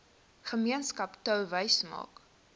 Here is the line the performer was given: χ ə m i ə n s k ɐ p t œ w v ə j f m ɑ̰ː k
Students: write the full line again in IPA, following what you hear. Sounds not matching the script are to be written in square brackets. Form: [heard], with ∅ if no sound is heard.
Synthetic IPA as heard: χ ə m i ə n s k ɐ p t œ w v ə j [s] m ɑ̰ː k